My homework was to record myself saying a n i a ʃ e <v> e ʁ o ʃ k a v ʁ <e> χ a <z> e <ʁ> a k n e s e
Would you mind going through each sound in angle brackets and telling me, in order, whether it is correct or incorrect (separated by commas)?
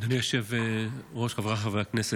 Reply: correct, incorrect, incorrect, incorrect